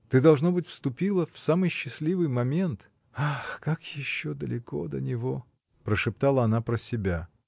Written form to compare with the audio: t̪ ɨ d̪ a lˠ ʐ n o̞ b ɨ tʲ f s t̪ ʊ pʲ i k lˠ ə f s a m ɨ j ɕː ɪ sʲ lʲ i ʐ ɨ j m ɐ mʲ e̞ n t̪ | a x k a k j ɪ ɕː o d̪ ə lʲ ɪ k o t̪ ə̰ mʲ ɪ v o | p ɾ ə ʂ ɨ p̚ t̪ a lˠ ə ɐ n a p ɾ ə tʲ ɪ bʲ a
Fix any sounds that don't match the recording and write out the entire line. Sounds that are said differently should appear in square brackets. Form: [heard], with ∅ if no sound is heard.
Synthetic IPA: t̪ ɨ d̪ [ɐ] lˠ ʐ n o̞ b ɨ tʲ f s t̪ ʊ pʲ i [∅] lˠ ə f s a m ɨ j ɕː ɪ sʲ lʲ i [v] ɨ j m ɐ mʲ e̞ n t̪ | a x k a k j ɪ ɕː o d̪ ə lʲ ɪ k o [d̪] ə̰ [nʲ] ɪ v o | p ɾ ə ʂ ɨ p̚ t̪ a lˠ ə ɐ n a p ɾ ə [sʲ] ɪ bʲ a